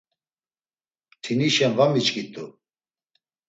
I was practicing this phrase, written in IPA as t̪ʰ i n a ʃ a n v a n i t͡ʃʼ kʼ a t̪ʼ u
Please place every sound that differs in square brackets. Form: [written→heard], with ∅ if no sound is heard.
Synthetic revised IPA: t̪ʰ i n [a→i] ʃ [a→ɛ] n v a [n→m] i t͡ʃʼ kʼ [a→i] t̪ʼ u